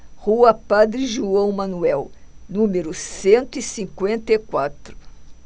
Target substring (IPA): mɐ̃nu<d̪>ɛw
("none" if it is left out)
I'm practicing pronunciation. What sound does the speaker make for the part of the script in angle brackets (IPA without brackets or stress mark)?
none